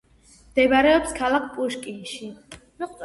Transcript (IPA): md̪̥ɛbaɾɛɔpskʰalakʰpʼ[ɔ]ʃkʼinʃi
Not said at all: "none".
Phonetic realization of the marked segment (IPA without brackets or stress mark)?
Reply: u